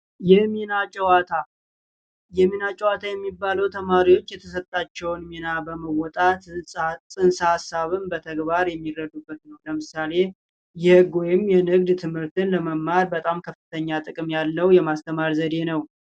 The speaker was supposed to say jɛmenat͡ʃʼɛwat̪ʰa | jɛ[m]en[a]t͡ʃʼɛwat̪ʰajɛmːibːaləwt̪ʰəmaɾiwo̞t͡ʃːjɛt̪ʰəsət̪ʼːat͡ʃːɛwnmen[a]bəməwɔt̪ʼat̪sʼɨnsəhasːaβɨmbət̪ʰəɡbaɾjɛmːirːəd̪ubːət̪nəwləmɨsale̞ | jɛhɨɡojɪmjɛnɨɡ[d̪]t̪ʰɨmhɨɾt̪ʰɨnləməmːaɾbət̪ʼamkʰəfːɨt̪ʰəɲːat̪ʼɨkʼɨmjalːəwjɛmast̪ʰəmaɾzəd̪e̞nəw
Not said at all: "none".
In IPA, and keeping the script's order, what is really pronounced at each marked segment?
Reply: m, a, a, d̪

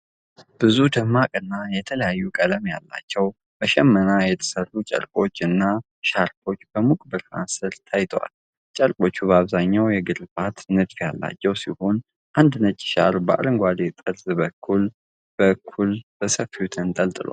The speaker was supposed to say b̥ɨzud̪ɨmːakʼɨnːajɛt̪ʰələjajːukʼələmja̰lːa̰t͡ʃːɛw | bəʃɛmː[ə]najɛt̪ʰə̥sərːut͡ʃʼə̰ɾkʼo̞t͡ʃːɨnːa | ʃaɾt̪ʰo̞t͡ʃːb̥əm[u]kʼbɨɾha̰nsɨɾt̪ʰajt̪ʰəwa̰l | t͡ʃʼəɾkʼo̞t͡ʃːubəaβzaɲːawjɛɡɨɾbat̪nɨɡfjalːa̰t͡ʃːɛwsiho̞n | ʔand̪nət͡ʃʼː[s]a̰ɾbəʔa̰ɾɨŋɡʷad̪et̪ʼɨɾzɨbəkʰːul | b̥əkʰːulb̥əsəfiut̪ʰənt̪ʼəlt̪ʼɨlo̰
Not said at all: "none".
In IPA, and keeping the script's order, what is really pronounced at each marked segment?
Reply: ə, u, ʃ

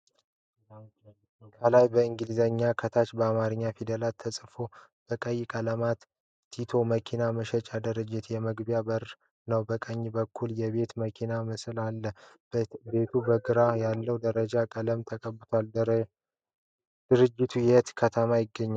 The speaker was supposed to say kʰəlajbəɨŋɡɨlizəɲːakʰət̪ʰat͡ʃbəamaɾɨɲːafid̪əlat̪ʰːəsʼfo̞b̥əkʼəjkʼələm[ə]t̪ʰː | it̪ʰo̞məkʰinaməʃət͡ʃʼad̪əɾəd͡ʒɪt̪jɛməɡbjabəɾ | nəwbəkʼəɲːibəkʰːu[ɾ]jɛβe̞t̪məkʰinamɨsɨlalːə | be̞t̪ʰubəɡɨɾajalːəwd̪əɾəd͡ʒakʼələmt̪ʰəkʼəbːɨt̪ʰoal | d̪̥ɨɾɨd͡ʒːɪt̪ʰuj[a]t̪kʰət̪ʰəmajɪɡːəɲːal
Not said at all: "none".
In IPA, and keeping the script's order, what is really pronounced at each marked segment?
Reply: a, l, ɛ

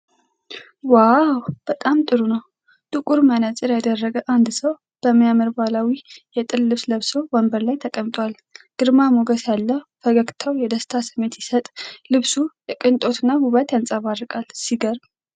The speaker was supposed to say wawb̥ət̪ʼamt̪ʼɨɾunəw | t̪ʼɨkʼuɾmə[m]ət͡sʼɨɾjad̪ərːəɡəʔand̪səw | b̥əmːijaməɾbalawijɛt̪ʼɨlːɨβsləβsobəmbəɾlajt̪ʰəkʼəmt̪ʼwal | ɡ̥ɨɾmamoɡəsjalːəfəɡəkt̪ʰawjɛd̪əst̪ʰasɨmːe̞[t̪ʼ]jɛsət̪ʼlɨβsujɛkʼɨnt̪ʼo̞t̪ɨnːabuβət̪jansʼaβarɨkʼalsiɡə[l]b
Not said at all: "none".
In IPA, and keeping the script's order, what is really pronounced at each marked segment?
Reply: n, t̪, ɾ

